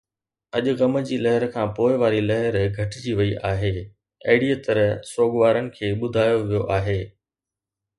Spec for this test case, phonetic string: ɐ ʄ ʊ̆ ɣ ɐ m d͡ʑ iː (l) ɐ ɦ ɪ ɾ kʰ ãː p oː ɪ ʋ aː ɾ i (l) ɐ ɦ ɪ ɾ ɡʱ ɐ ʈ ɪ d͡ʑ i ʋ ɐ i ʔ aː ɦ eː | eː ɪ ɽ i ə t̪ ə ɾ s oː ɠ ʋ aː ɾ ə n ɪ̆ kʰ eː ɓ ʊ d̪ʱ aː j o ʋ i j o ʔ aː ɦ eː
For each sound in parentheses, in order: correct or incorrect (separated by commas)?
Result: correct, correct